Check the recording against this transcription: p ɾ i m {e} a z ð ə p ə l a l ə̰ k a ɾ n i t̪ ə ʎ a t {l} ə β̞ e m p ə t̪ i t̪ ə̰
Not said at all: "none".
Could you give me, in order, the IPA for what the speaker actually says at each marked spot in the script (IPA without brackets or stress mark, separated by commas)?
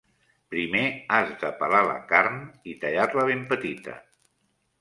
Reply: e, l